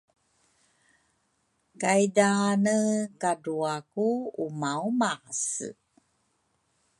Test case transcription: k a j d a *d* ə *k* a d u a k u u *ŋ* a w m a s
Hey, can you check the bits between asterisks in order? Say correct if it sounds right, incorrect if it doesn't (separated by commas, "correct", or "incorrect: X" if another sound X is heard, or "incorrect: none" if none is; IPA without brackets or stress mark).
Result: incorrect: n, correct, incorrect: m